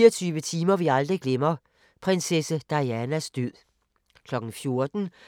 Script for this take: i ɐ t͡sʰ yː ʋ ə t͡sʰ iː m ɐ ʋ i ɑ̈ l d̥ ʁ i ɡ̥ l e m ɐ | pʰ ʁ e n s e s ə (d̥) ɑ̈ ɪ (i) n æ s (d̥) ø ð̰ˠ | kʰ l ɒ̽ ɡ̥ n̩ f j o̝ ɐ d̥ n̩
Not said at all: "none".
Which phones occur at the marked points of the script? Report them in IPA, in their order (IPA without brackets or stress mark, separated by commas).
d̥, æ, d̥